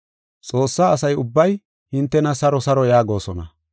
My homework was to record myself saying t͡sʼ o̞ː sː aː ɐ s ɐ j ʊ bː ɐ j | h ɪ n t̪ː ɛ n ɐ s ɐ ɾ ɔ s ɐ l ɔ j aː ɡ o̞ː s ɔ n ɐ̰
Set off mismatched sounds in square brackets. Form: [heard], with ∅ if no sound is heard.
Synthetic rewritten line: t͡sʼ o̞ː sː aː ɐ s ɐ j ʊ bː ɐ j | h ɪ n t̪ː ɛ n ɐ s ɐ ɾ ɔ s ɐ [ɾ] ɔ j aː ɡ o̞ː s ɔ n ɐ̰